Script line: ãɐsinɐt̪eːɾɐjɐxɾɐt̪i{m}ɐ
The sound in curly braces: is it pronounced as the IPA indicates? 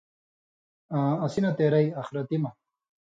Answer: yes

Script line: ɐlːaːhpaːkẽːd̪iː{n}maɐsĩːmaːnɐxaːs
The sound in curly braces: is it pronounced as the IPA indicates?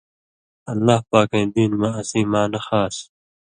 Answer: yes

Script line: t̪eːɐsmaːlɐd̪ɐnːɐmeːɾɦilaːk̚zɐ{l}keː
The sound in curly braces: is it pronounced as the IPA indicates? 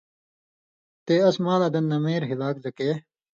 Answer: no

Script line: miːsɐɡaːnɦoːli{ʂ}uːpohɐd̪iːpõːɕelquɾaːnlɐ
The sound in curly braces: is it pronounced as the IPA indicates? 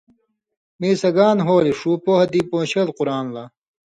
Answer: yes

